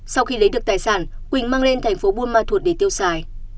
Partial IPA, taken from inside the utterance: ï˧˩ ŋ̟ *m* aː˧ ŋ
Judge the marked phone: correct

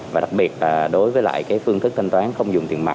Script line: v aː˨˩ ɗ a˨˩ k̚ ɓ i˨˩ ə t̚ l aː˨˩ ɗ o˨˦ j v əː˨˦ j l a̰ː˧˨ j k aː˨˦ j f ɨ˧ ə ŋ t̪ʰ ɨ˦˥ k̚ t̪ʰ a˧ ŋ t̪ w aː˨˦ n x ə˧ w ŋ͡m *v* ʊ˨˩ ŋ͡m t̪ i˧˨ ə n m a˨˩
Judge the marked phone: incorrect: z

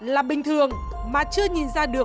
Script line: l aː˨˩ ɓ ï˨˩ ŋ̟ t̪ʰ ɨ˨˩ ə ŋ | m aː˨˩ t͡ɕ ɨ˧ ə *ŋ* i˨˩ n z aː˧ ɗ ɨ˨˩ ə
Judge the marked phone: incorrect: ɲ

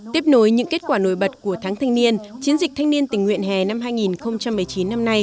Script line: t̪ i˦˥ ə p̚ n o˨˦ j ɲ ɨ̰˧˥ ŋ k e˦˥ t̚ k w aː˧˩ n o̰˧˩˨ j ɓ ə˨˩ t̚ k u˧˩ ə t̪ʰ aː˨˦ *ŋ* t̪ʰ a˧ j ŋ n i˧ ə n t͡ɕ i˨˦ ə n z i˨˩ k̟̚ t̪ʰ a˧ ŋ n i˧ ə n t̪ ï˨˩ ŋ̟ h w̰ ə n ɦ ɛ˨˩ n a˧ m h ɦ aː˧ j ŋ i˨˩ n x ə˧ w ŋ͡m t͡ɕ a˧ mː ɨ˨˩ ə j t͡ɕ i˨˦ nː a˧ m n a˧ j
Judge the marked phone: correct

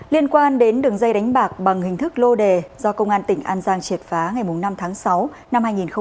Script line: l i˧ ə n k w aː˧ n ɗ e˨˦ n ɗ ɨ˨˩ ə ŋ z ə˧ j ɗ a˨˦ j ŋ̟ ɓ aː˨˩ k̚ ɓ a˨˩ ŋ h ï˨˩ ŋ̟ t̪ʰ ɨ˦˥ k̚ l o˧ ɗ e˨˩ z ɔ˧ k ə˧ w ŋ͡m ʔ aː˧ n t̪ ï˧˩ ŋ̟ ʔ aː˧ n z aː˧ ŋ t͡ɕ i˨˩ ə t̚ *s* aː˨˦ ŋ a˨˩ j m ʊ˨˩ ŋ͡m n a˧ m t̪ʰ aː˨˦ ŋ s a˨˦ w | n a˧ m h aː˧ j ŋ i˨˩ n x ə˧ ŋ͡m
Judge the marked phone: incorrect: f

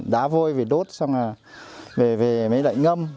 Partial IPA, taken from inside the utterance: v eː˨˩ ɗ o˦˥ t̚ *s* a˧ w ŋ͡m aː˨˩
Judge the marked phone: correct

